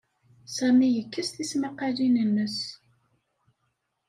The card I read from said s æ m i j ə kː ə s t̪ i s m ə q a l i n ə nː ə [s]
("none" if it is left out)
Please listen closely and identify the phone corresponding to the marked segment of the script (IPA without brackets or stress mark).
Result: s